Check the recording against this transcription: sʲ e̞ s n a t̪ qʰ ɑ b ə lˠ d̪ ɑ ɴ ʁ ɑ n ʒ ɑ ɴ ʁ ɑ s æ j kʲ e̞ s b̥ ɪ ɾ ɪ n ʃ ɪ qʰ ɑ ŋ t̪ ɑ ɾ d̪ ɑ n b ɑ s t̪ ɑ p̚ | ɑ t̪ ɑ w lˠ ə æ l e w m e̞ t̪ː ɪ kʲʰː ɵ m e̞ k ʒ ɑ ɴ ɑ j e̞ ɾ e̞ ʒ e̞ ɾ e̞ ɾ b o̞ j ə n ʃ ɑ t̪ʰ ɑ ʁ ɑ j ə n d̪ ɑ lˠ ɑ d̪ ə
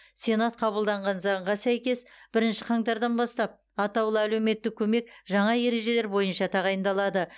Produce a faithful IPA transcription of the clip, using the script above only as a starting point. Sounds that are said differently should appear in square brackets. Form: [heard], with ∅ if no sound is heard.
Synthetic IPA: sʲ e̞ [∅] n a t̪ qʰ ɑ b ə lˠ d̪ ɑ ɴ ʁ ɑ n [z] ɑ ɴ ʁ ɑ s æ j kʲ e̞ s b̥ ɪ ɾ ɪ n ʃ ɪ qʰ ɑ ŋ t̪ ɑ ɾ d̪ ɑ n b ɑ s t̪ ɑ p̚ | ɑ t̪ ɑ w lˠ ə æ l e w m e̞ t̪ː ɪ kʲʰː ɵ m e̞ k ʒ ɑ ɴ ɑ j e̞ ɾ e̞ ʒ e̞ [l] e̞ ɾ b o̞ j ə n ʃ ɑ t̪ʰ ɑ ʁ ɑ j ə n d̪ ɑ lˠ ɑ d̪ ə